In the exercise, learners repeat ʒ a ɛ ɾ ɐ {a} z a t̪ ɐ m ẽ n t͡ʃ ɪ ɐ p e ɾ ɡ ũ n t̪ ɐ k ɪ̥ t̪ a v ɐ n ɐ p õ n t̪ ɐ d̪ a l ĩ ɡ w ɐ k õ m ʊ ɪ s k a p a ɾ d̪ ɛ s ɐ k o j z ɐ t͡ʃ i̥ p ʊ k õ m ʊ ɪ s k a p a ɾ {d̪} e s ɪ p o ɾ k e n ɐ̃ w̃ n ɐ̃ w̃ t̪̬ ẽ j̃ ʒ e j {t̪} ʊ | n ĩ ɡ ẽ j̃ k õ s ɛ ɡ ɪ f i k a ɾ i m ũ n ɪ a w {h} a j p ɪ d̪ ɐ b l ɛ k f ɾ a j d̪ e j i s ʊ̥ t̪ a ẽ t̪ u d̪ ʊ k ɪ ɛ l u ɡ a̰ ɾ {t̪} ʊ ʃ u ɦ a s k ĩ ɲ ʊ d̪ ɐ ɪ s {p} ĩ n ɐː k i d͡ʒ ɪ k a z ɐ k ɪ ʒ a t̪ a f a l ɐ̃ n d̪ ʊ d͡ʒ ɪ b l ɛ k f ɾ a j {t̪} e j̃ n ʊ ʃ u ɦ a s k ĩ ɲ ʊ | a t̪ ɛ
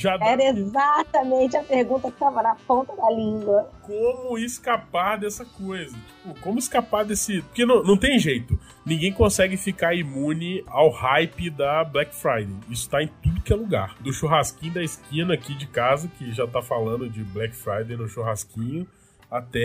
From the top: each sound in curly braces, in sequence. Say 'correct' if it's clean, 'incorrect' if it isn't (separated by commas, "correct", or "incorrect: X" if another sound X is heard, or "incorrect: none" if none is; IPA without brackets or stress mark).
incorrect: e, correct, correct, correct, incorrect: d̪, incorrect: k, incorrect: d̪